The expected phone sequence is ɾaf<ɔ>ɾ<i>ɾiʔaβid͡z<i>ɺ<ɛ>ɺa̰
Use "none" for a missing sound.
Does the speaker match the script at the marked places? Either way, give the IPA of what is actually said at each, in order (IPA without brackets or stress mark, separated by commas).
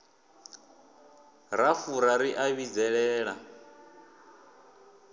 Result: u, a, ɛ, ɛː